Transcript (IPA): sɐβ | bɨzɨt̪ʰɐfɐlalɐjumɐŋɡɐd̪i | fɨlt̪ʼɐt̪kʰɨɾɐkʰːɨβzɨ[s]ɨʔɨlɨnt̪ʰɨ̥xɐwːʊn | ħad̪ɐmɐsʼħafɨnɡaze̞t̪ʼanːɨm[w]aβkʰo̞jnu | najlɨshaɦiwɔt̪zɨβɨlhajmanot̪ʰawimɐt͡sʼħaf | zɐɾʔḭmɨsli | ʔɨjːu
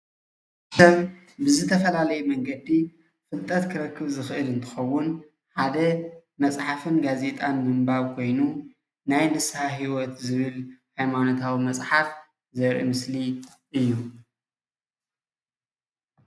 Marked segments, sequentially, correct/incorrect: incorrect: x, incorrect: b

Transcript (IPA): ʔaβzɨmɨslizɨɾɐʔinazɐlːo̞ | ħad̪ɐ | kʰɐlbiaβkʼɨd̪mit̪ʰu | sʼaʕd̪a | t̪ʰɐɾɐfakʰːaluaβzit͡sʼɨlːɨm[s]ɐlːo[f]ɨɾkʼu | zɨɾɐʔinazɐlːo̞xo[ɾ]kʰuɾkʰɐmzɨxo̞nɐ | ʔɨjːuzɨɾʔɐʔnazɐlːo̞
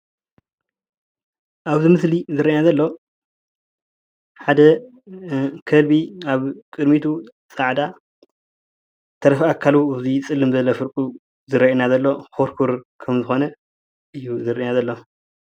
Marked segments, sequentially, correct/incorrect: incorrect: z, correct, correct

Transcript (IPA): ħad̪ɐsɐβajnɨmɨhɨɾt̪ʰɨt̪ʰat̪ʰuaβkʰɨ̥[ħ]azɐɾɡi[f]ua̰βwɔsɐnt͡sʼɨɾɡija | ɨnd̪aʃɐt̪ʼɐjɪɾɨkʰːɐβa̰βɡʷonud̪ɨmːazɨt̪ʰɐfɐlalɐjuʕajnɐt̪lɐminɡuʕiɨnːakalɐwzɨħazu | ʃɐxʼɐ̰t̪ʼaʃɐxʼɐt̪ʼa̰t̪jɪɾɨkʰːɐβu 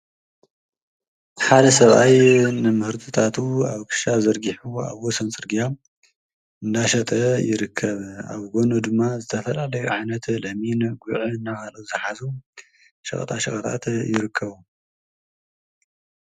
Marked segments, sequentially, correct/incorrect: incorrect: ʃ, incorrect: ħ

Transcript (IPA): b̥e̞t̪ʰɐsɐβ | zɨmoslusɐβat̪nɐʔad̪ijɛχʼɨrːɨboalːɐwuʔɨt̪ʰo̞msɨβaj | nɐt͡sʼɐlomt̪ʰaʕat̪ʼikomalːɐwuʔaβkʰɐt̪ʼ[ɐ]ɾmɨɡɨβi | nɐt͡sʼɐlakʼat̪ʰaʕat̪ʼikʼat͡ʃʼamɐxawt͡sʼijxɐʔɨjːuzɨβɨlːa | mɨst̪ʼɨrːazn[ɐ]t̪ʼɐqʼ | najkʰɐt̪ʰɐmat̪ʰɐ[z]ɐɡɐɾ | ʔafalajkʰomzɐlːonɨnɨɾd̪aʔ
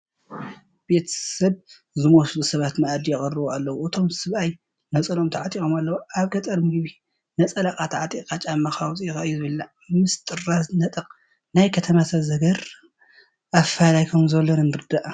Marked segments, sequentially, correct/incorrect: correct, correct, correct

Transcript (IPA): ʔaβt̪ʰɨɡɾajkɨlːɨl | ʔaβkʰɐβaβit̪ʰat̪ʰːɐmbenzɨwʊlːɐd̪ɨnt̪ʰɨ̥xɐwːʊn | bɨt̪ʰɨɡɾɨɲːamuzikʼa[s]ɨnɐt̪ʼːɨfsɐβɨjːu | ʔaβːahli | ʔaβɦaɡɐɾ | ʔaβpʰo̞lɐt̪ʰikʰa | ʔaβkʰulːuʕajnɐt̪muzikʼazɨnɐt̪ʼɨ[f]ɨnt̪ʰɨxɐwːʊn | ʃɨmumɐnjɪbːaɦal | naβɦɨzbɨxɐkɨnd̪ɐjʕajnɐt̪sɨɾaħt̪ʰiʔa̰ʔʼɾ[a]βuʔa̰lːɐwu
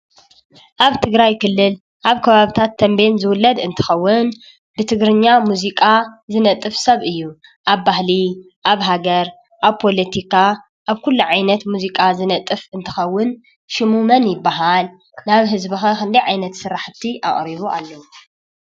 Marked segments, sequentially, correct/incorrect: incorrect: z, correct, incorrect: i

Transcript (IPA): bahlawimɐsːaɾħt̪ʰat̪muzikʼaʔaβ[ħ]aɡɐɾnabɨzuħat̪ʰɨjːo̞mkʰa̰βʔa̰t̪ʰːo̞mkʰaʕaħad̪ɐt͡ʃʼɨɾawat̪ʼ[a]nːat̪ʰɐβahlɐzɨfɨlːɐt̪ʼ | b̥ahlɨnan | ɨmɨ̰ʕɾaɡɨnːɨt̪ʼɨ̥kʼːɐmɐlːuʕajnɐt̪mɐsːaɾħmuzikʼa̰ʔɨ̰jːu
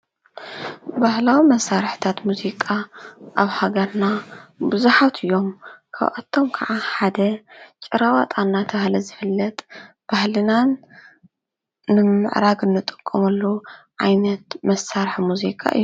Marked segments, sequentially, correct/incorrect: incorrect: h, correct

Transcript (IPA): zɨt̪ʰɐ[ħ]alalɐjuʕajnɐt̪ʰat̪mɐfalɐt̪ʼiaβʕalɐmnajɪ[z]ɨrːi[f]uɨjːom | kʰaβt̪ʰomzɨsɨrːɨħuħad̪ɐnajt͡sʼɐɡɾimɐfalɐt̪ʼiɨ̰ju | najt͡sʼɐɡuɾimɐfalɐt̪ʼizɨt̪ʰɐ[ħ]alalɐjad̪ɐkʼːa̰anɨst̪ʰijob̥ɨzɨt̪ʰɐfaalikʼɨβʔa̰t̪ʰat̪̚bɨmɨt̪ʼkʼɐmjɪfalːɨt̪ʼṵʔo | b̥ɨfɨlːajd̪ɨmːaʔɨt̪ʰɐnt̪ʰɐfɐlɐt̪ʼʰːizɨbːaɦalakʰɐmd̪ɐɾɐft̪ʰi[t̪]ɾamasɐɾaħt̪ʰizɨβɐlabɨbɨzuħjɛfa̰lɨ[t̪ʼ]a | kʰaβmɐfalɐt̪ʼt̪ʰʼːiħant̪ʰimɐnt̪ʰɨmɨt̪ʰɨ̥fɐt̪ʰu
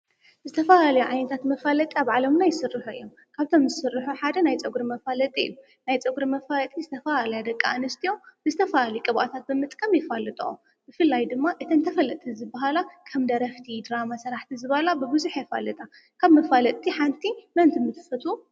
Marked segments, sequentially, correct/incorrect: incorrect: f, incorrect: s, incorrect: ħ, incorrect: f, incorrect: d̪, correct

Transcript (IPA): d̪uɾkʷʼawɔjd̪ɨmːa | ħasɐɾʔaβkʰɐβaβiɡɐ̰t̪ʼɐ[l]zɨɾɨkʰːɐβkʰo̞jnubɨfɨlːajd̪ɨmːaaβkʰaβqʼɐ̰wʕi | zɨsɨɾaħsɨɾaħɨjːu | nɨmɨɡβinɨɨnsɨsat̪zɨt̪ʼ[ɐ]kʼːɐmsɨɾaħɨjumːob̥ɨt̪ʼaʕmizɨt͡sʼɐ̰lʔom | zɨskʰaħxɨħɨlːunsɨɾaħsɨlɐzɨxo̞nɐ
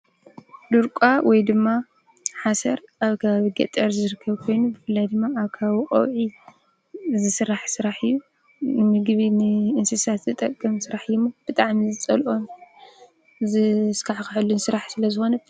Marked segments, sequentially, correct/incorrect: incorrect: ɾ, correct

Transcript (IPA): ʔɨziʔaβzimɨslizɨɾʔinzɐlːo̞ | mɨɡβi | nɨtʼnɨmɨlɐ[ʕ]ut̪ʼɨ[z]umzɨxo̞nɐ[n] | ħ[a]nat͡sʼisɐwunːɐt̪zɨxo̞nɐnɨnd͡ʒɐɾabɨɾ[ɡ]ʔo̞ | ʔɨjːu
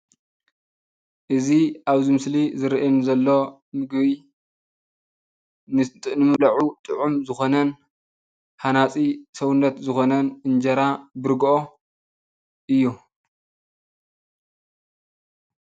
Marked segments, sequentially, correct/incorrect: correct, incorrect: ʕ, correct, correct, correct

